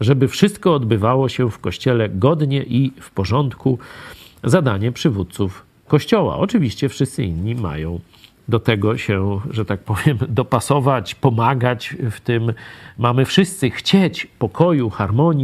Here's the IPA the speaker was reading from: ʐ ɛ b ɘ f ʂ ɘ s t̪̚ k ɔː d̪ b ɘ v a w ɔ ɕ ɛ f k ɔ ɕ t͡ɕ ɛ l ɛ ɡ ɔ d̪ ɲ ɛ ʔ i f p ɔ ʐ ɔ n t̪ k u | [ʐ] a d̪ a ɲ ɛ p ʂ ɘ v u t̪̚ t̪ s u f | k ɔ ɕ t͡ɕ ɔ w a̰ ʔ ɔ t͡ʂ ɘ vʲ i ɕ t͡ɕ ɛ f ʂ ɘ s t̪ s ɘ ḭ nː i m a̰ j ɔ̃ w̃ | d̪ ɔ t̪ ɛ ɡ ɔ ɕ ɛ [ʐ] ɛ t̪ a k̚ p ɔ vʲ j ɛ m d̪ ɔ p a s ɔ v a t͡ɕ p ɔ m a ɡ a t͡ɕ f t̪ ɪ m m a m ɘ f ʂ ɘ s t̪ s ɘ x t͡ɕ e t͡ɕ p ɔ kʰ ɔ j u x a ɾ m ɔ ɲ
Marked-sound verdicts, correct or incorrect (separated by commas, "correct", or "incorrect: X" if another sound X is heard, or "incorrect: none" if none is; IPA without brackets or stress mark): incorrect: z, correct